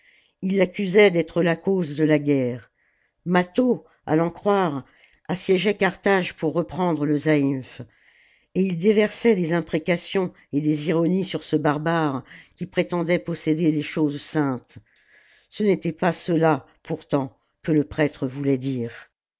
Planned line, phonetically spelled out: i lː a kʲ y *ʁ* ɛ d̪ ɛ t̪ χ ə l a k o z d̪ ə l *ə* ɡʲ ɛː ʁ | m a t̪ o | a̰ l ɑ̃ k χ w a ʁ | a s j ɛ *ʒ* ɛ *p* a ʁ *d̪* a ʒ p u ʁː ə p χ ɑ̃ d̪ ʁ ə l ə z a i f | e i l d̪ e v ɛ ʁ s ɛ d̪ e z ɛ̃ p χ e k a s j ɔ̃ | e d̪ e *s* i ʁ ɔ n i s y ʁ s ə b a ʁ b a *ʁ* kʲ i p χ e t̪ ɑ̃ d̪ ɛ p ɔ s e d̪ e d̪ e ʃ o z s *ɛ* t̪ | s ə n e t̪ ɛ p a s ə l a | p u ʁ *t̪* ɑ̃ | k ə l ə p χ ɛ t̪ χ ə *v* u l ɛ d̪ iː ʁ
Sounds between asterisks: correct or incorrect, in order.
incorrect: z, incorrect: a, correct, incorrect: k, incorrect: t̪, incorrect: z, correct, incorrect: ɛ̃, correct, correct

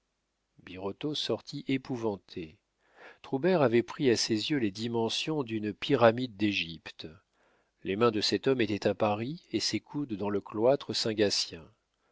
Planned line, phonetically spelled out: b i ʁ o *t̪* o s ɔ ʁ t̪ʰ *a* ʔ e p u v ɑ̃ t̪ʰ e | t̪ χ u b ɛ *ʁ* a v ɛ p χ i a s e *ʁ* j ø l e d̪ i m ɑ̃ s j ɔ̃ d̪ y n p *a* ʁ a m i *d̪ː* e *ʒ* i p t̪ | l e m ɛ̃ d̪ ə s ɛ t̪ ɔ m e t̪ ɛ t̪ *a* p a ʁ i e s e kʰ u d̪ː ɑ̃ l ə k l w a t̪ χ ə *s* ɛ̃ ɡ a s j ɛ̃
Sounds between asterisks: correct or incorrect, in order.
correct, incorrect: i, correct, incorrect: z, incorrect: i, correct, correct, correct, correct

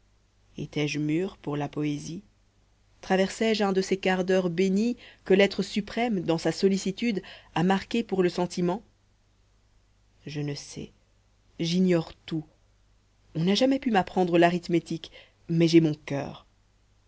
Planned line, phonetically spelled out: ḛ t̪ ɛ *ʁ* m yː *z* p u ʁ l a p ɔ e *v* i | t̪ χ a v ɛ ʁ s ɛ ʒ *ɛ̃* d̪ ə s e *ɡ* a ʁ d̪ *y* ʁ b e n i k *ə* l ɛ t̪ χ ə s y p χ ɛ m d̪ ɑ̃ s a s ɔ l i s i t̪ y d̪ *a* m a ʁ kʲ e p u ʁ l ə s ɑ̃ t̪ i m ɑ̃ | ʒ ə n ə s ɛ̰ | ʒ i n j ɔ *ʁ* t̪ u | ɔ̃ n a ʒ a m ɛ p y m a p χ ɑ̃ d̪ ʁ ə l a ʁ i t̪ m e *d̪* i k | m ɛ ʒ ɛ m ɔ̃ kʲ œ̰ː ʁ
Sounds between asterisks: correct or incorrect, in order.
incorrect: ʒ, incorrect: ʁ, incorrect: z, correct, incorrect: k, incorrect: œ, correct, correct, correct, incorrect: t̪

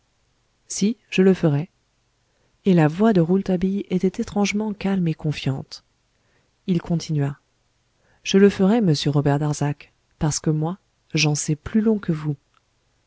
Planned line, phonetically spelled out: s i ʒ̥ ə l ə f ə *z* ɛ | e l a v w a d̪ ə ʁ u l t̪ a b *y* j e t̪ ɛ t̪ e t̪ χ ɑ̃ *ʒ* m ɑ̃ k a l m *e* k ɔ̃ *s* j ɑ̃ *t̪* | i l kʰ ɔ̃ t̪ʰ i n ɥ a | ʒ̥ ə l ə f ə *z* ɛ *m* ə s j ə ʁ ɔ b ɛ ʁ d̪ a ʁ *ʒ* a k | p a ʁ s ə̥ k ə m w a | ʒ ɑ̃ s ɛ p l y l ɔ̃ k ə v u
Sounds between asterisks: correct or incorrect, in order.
incorrect: ʁ, incorrect: i, correct, correct, incorrect: f, correct, incorrect: ʁ, correct, incorrect: z

